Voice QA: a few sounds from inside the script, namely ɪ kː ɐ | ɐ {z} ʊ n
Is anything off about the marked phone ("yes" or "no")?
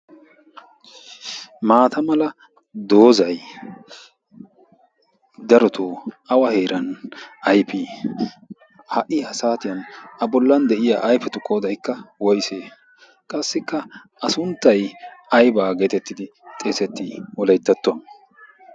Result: yes